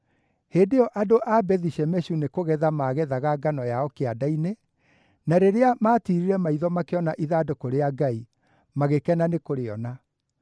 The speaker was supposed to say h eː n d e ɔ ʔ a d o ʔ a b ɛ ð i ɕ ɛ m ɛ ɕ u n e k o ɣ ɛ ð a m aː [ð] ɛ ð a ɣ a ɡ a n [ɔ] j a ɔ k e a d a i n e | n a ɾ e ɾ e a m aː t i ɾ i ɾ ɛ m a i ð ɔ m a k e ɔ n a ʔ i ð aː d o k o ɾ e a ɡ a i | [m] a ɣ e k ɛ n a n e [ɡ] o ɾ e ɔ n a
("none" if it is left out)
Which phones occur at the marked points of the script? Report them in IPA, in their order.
ɣ, ɔ, m, k

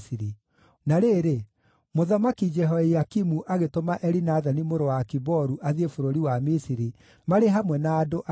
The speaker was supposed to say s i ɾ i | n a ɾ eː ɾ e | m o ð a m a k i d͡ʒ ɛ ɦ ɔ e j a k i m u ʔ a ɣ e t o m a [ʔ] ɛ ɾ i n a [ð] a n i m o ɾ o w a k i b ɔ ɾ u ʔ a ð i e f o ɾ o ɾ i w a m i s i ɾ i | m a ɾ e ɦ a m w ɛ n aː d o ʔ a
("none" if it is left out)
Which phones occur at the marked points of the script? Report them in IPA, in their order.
ʔ, ð

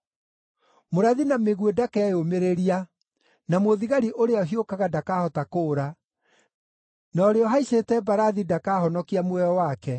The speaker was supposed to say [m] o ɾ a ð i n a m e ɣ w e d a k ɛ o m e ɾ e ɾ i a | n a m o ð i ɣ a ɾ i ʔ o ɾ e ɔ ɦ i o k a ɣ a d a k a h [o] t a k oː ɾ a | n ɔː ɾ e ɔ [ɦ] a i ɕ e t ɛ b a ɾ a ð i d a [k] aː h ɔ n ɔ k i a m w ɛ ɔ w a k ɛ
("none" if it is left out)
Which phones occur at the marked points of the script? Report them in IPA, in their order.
m, ɔ, ɦ, k

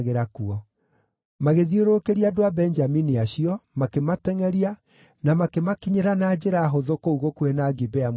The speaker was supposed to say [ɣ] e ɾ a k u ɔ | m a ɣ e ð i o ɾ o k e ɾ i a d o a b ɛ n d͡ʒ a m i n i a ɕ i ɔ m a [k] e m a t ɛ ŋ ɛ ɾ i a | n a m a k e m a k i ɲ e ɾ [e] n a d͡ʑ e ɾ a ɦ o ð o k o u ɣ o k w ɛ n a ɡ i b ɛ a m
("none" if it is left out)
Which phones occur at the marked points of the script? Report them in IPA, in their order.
ɣ, k, a

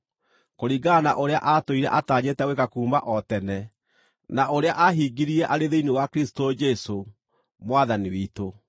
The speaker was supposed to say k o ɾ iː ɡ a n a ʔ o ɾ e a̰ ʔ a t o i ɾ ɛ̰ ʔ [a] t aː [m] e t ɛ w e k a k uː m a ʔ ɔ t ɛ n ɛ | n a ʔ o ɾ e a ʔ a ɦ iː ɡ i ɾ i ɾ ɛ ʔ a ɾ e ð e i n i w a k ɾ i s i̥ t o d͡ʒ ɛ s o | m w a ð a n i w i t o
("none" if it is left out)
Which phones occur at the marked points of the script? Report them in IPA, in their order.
a, ɲ

